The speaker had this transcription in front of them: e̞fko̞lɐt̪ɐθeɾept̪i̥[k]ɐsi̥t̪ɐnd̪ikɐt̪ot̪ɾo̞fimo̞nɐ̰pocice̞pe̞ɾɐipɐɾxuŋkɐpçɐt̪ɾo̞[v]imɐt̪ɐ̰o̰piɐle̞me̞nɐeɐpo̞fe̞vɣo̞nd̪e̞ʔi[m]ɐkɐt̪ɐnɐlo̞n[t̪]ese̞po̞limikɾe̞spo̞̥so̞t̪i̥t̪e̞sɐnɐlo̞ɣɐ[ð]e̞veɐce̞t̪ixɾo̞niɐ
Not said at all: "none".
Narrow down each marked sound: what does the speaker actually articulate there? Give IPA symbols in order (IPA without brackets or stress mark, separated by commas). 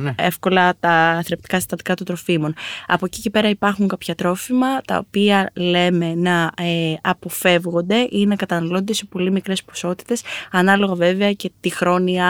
k, f, n, d̪, v